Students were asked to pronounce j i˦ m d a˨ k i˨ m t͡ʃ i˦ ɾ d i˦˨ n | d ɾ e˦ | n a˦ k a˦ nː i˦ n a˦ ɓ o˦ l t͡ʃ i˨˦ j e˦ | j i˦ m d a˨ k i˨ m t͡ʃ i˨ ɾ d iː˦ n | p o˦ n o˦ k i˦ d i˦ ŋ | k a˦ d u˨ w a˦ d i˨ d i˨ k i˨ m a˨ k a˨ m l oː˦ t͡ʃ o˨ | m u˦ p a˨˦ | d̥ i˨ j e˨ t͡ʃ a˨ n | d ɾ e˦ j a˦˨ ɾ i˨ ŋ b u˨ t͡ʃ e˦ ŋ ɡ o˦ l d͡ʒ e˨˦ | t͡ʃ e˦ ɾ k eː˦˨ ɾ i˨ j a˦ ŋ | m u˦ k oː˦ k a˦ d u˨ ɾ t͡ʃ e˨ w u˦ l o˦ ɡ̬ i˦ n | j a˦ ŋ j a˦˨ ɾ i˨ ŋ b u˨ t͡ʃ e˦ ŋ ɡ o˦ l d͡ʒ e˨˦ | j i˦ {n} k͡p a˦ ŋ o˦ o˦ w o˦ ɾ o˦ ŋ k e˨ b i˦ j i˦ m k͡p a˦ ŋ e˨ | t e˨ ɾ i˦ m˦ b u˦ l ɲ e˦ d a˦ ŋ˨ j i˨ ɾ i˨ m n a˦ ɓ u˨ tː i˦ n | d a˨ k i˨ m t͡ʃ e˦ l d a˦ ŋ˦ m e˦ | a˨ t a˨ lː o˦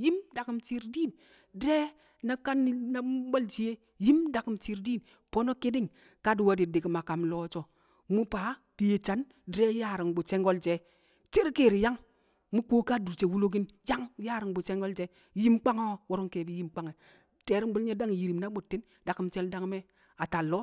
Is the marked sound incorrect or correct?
incorrect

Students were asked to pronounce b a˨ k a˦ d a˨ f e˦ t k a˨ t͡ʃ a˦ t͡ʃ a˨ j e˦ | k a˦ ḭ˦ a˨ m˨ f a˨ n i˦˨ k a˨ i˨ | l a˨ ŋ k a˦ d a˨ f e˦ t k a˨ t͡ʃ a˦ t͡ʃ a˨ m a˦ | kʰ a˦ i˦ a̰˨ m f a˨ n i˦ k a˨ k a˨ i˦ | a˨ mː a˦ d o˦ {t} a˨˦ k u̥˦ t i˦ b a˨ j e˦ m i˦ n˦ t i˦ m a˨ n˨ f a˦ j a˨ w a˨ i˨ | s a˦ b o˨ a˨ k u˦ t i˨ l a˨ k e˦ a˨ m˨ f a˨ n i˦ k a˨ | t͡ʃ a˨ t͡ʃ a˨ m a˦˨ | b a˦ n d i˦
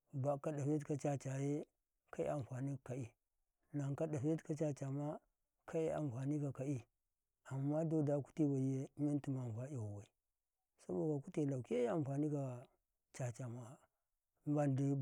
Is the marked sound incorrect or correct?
incorrect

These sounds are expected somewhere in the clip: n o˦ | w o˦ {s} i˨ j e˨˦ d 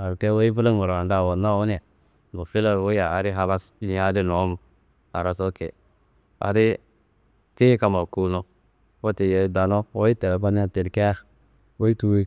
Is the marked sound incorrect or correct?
incorrect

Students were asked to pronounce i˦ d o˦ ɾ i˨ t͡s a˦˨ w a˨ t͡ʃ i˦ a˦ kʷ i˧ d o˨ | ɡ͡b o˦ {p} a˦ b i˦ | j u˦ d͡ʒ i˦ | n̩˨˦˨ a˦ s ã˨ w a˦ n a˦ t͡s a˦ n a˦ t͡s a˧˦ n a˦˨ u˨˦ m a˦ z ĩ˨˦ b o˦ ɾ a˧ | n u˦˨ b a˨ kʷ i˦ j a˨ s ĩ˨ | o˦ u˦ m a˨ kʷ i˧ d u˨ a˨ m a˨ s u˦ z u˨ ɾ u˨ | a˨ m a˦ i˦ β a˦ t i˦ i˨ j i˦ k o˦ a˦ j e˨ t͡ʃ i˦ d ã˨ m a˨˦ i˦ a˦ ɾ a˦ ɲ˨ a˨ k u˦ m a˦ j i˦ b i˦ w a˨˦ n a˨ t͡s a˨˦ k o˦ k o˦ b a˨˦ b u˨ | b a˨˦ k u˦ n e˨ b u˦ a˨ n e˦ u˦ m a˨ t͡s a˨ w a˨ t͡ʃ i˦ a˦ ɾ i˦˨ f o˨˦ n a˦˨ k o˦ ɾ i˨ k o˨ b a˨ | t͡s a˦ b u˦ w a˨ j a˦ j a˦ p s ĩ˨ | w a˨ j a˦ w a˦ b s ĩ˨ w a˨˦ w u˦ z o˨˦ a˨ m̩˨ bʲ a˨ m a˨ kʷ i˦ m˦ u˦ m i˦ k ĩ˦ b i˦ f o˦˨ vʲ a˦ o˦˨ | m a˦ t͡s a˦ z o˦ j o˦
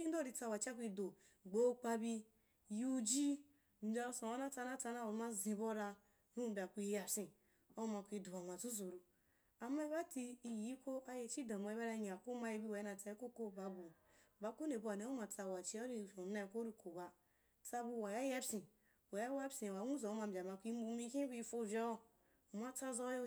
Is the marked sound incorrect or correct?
incorrect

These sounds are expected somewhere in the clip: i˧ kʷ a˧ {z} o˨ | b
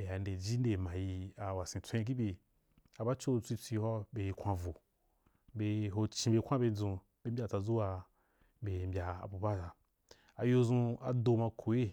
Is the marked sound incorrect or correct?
incorrect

